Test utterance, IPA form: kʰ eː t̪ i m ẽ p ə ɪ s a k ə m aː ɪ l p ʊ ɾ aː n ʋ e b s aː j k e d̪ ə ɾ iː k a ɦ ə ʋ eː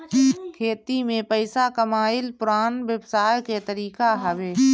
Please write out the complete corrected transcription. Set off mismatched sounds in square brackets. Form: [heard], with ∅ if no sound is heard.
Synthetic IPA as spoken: kʰ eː t̪ i m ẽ p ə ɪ s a k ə m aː ɪ l p ʊ ɾ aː n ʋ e b s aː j k e [t̪] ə ɾ iː k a ɦ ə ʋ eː